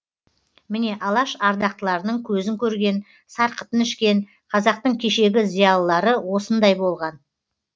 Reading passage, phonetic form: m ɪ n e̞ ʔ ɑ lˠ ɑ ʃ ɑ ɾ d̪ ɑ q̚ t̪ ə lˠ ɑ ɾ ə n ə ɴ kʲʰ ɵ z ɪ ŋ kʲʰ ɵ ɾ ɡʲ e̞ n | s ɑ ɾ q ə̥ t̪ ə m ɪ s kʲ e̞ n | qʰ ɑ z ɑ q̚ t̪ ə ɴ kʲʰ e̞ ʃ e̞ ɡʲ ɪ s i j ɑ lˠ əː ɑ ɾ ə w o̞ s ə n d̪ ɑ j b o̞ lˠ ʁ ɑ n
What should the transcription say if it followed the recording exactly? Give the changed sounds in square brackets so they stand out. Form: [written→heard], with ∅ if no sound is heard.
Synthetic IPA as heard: m ɪ n e̞ ʔ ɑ lˠ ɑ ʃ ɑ ɾ d̪ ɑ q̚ t̪ ə lˠ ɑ ɾ ə n ə ɴ kʲʰ ɵ z ɪ ŋ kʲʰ ɵ ɾ ɡʲ e̞ n | s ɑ ɾ q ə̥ t̪ ə [m→n] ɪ [s→ʃ] kʲ e̞ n | qʰ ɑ z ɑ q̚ t̪ ə ɴ kʲʰ e̞ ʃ e̞ ɡʲ ɪ [s→z] i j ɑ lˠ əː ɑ ɾ ə w o̞ s ə n d̪ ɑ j b o̞ lˠ ʁ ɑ n